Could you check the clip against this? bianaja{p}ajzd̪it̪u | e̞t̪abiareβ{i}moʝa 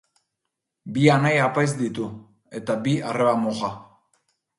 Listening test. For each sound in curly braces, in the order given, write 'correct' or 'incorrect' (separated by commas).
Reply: correct, incorrect